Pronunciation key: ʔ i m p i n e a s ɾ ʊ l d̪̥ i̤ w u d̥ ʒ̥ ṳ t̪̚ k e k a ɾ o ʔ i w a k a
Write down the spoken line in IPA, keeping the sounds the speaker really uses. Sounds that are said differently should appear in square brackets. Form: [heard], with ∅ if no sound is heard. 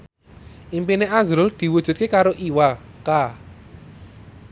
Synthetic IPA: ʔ i m p i n e a [z] ɾ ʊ l d̪̥ i̤ w u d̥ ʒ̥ ṳ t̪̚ k e k a ɾ o ʔ i w a k a